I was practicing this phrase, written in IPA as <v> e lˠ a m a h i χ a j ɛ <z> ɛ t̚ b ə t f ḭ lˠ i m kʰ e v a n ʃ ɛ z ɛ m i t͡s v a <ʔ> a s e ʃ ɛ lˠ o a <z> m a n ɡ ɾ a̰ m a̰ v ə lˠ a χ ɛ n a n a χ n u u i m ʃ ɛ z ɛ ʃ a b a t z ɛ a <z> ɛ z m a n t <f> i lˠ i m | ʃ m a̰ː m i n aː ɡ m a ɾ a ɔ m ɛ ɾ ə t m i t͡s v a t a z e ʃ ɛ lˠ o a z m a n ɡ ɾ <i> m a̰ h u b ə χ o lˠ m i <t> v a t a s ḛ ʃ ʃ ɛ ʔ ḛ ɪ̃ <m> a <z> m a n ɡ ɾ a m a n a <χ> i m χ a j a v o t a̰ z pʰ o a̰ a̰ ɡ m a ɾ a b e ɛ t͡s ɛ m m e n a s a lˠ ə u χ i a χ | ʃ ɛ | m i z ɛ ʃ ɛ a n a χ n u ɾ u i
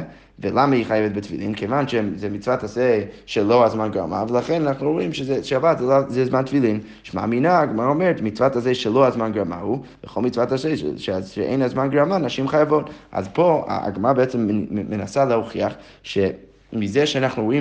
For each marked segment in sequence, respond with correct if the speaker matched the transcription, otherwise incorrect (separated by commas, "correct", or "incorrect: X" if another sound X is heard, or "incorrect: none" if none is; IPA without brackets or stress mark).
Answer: correct, incorrect: v, incorrect: t, correct, correct, correct, incorrect: a, incorrect: t͡s, incorrect: n, correct, incorrect: ʃ